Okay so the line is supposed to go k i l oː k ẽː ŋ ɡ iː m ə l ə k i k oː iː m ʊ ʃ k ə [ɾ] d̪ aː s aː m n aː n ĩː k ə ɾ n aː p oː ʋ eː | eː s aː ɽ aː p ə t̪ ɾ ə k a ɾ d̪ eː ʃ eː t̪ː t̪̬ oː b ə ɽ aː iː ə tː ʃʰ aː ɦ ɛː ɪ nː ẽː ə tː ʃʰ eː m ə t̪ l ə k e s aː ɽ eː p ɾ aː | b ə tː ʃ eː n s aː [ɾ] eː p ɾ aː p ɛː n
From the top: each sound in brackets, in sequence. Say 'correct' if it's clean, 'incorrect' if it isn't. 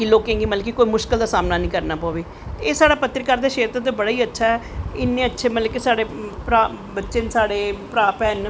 incorrect: l, incorrect: ɽ

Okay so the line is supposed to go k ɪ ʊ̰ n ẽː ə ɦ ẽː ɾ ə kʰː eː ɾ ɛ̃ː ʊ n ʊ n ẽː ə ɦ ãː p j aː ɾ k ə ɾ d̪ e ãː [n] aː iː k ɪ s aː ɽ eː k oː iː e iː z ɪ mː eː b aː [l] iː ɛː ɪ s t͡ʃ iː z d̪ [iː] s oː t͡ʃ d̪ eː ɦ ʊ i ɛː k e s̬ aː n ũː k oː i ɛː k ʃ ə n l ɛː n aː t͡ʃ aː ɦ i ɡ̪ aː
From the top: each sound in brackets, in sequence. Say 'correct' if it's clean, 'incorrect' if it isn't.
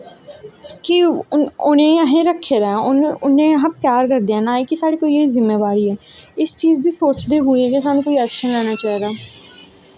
correct, incorrect: ɾ, correct

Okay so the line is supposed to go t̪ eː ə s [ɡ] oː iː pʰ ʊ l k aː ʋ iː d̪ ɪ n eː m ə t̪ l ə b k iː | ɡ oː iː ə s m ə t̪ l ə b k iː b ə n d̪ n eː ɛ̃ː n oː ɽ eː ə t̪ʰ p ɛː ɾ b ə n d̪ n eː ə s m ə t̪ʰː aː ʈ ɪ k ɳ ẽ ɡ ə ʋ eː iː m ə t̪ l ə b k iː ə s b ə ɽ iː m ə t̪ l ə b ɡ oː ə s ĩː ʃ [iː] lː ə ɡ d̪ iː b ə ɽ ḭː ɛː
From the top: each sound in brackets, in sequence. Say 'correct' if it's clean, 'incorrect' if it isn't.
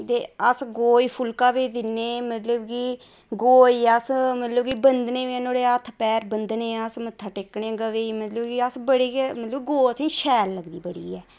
correct, incorrect: ɛː

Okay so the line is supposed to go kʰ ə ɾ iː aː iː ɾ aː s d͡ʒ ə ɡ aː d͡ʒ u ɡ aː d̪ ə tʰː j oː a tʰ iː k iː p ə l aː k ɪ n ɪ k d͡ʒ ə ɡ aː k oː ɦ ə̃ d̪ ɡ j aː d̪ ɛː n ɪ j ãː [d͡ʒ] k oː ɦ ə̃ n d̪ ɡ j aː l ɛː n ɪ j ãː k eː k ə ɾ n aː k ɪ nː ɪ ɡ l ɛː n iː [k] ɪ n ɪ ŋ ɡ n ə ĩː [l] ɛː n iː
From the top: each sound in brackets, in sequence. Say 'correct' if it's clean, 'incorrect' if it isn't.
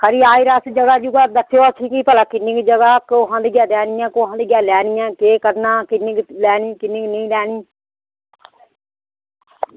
incorrect: none, correct, correct

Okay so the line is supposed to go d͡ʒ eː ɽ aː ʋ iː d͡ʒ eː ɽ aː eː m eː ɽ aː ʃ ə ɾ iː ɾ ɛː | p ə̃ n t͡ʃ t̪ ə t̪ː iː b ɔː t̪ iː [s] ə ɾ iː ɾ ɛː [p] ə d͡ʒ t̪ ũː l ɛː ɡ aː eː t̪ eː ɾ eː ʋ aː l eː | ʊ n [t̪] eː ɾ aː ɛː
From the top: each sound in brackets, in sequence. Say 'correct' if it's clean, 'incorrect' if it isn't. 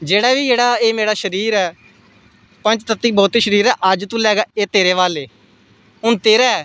incorrect: ʃ, incorrect: ʔ, correct

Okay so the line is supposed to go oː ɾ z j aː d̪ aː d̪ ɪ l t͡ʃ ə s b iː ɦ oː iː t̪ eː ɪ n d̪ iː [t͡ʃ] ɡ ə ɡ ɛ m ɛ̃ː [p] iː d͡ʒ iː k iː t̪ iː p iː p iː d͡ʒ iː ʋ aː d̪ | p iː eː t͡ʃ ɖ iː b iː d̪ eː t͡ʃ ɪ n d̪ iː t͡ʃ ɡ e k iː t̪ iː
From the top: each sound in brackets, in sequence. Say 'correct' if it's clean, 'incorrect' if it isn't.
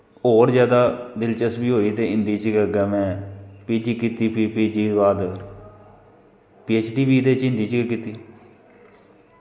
correct, correct

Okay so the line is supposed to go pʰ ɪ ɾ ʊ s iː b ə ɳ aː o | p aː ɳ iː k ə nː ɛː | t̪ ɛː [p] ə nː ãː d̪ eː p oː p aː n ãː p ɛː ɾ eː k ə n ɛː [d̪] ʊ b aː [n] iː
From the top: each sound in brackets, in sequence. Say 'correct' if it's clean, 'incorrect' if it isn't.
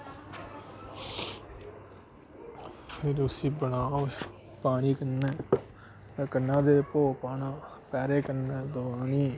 incorrect: k, correct, correct

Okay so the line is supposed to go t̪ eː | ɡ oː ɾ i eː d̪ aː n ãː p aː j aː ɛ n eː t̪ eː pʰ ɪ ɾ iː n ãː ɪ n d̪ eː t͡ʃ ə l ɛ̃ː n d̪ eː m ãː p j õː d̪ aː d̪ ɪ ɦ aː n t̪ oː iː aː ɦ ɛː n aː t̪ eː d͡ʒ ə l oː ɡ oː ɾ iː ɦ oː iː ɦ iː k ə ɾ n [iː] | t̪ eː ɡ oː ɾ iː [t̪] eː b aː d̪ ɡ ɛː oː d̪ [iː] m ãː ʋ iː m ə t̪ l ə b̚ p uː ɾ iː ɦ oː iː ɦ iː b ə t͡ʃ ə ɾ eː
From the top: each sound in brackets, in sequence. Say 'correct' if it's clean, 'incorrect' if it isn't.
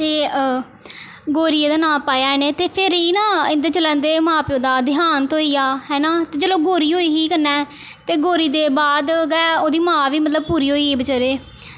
incorrect: ɛː, incorrect: d̪, correct

